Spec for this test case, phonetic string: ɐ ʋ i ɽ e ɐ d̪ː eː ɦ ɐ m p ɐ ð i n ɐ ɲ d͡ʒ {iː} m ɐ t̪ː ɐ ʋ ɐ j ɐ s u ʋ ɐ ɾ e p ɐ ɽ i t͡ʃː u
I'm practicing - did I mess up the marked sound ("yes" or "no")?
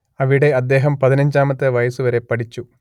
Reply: yes